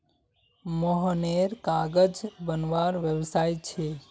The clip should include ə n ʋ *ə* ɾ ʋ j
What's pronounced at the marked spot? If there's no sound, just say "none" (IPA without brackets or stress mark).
a